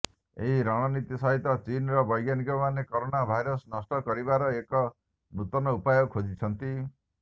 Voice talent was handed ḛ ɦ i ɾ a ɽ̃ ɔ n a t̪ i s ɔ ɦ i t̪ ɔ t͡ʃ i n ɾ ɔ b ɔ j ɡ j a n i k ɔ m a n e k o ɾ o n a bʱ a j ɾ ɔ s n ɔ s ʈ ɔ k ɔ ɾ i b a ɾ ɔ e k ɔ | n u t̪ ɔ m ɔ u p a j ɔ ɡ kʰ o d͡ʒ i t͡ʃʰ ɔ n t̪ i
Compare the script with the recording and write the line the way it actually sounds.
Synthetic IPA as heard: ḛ ɦ i ɾ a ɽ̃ ɔ n i t̪ i s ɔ ɦ i t̪ ɔ t͡ʃ i n ɾ ɔ b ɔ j ɡ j a n i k ɔ m a n e k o ɾ o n a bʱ a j ɾ ɔ s n ɔ s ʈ ɔ k ɔ ɾ i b a ɾ ɔ e k ɔ | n u t̪ ɔ n ɔ u p a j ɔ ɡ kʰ o d͡ʒ i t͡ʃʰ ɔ n t̪ i